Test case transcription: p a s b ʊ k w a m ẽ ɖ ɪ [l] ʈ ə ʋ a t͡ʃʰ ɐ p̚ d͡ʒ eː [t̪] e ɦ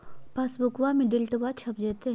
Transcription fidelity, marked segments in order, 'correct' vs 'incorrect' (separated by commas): correct, correct